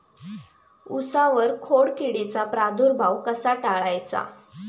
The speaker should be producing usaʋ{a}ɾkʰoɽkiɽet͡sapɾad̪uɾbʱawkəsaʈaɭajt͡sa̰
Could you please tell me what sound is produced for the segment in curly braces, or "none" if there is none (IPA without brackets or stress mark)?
ə